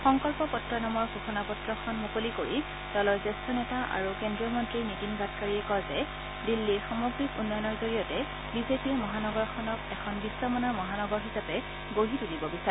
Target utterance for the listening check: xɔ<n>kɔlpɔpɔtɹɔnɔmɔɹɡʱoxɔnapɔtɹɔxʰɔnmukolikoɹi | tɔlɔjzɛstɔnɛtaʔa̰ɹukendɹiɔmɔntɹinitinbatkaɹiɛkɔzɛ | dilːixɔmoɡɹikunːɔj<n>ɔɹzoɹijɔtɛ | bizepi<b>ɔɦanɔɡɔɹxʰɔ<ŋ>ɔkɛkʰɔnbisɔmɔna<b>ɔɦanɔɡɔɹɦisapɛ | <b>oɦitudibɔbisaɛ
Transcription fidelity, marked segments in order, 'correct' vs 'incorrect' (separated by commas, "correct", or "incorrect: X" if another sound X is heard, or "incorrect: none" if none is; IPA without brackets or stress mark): incorrect: ŋ, correct, incorrect: m, incorrect: n, incorrect: m, incorrect: ɡ